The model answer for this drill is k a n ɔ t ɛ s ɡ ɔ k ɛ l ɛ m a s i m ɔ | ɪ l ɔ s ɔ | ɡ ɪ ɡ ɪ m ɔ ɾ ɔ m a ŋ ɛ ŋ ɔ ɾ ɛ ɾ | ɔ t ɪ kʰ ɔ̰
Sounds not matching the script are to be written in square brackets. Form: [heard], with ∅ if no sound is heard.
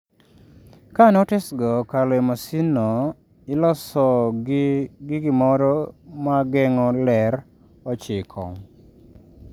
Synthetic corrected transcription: k a n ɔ t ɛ s ɡ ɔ k [a] l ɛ m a s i [n] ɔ | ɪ l ɔ s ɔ | ɡ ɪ ɡ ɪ m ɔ ɾ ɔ m a [ɡ] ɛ ŋ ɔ [l] ɛ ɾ | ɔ [t͡ʃ] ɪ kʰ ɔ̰